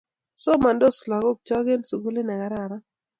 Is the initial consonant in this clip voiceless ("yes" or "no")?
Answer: yes